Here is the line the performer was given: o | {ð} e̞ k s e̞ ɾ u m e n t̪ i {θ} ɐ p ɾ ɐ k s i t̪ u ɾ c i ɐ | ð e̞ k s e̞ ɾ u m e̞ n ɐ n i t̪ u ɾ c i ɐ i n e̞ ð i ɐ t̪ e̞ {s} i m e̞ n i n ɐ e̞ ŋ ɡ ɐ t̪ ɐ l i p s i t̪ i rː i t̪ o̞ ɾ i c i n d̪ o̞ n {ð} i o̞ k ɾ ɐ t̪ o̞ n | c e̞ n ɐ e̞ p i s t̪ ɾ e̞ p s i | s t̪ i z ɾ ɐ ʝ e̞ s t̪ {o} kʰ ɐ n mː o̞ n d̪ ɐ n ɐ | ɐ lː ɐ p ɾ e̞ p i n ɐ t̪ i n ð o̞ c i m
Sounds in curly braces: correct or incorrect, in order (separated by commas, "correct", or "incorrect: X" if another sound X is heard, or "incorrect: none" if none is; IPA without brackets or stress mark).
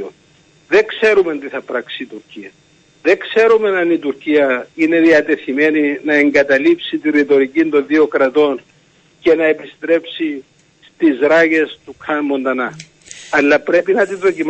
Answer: correct, correct, incorrect: θ, correct, incorrect: u